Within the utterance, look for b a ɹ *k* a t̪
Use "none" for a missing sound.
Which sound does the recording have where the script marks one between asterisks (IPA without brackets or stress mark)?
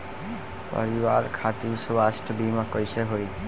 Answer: kʰ